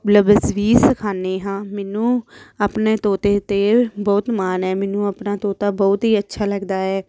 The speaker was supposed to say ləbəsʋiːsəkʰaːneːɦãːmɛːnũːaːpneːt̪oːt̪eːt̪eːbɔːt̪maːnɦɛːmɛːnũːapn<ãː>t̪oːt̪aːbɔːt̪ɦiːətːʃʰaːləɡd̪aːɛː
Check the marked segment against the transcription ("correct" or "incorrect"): incorrect